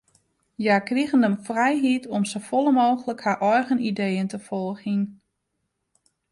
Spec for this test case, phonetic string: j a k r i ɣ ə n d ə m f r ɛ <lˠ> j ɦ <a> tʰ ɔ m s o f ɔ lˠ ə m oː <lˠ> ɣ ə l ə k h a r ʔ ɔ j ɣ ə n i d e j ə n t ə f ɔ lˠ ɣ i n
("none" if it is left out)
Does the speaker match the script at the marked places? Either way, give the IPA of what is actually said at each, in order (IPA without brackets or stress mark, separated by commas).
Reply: none, i, none